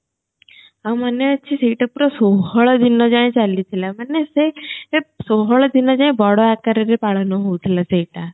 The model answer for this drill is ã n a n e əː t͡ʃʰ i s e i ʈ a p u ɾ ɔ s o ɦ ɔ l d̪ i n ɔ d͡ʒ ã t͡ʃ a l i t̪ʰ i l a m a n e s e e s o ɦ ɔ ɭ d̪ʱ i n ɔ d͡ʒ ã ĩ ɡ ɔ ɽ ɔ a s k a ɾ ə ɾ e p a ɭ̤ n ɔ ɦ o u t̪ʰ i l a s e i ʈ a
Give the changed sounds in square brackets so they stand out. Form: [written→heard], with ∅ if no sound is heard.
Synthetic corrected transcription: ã [n→m] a n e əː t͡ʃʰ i s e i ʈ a p u ɾ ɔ s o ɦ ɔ [l→ɭ] d̪ i n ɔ d͡ʒ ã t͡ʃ a l i t̪ʰ i l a m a n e s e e s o ɦ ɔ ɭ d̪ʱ i n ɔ d͡ʒ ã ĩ [ɡ→b] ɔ ɽ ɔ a [s→∅] k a ɾ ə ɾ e p a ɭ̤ n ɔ ɦ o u t̪ʰ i l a s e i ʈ a